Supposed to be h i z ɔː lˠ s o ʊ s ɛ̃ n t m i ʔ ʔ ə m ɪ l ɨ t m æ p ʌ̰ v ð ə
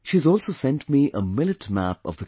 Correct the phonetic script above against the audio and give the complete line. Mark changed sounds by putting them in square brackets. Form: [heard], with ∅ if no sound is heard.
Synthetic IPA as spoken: [ʃ] i z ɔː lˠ s o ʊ s ɛ̃ n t m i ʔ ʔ ə m ɪ l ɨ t m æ p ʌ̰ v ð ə